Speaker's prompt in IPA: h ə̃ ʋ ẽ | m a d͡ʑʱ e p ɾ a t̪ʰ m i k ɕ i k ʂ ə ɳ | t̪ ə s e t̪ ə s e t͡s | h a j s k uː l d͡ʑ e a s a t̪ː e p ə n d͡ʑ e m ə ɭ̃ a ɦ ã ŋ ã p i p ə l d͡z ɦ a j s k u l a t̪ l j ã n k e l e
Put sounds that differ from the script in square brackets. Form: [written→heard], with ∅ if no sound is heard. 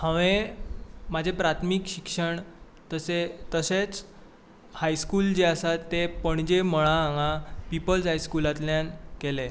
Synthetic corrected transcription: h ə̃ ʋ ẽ | m a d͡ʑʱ e p ɾ a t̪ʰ m i k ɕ i k ʂ ə ɳ | t̪ ə s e t̪ ə s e t͡s | h a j s k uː l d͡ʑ e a s a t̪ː e p ə [n→ɳ] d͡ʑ e m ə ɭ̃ a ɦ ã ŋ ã p i p ə l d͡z ɦ a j s k u l a t̪ l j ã n k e l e